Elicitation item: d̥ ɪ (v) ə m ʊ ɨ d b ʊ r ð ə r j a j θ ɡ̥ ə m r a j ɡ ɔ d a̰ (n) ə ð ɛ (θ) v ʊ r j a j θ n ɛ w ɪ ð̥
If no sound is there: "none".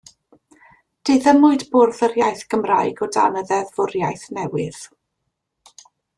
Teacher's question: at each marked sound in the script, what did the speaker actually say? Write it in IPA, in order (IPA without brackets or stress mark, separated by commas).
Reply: ð, n, ð